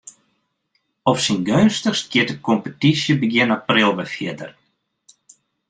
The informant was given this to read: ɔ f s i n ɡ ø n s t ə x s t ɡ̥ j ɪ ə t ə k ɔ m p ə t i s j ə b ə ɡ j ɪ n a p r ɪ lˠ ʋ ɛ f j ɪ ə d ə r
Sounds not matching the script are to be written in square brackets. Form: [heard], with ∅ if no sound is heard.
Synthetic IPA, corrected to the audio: ɔ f s i n ɡ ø n s t ə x s t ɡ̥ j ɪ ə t ə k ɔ m p ə t i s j ə b ə ɡ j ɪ n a p r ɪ lˠ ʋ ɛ f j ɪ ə d ə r